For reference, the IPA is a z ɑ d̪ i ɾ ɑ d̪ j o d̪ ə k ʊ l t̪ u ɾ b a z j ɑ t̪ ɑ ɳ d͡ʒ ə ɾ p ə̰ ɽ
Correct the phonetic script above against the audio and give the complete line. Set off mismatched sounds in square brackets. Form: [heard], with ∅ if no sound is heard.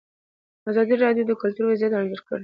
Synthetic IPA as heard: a z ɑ d̪ i ɾ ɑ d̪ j o d̪ ə k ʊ l t̪ u ɾ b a z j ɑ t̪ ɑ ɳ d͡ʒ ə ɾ [k] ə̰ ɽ